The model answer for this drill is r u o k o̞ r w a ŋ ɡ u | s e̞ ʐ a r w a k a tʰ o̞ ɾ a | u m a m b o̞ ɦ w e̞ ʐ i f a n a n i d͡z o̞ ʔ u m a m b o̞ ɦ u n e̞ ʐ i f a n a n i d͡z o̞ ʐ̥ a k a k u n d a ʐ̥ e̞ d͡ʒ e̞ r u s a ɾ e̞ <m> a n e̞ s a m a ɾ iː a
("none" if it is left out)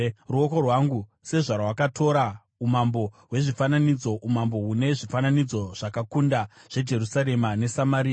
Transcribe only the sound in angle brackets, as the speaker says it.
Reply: m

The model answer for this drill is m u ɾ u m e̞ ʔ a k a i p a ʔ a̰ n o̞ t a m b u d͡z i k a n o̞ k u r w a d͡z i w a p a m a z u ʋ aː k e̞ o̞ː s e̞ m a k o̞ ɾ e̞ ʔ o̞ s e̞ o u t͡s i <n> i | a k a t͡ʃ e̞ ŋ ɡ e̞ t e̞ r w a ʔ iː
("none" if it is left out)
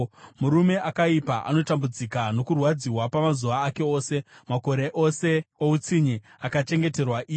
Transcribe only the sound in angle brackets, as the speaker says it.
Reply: ɲ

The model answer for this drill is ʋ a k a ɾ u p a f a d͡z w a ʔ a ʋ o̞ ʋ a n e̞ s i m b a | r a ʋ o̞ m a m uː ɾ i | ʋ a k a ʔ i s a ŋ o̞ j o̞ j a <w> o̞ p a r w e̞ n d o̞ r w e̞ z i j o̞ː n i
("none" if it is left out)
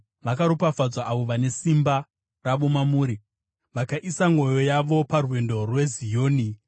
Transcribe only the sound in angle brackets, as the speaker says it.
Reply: ʋ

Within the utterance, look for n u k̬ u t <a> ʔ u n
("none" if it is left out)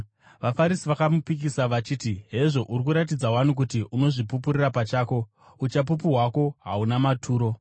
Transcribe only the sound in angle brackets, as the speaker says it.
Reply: i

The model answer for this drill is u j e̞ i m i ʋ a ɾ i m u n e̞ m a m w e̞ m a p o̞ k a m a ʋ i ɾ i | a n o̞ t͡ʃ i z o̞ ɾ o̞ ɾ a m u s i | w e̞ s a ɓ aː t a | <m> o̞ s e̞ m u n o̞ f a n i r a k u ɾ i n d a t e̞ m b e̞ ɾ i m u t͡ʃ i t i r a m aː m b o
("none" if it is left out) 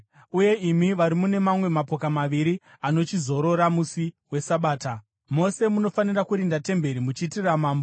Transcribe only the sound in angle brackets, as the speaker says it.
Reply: m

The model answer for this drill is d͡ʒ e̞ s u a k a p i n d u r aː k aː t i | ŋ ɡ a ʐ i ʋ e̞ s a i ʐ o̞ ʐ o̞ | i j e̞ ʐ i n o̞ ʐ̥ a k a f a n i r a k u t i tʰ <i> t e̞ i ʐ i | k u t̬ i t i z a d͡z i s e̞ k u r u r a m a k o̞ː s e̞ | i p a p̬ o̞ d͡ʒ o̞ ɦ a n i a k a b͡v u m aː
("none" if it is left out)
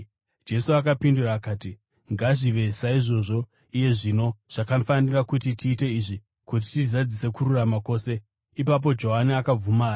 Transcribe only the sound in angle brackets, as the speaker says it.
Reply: iː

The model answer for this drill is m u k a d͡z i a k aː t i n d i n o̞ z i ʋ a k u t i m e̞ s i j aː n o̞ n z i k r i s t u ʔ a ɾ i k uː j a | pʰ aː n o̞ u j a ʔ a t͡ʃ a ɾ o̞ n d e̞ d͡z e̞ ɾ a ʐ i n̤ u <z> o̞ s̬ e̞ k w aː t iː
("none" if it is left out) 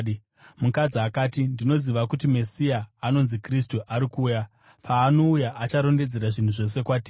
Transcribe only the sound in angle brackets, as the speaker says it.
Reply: ʐ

